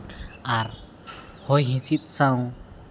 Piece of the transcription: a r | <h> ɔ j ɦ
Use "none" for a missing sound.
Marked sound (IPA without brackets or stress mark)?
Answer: h